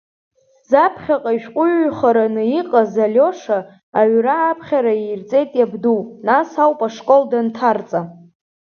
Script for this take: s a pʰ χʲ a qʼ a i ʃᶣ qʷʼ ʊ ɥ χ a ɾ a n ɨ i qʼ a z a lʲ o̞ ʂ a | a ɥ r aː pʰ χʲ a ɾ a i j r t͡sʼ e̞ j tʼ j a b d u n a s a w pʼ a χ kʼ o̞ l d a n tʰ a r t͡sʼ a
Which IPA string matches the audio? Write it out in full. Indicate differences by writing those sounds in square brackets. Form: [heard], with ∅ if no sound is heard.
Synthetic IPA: [z] a pʰ χʲ a qʼ a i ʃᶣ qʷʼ ʊ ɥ χ a ɾ a n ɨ i qʼ a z a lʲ o̞ ʂ a | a ɥ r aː pʰ χʲ a ɾ a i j r t͡sʼ e̞ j tʼ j a b d u n a s a w pʼ a [ʂ] kʼ o̞ l d a n tʰ a r t͡sʼ a